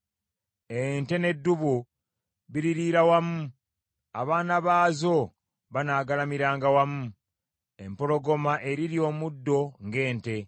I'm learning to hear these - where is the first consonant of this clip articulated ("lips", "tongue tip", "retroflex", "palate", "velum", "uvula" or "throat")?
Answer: tongue tip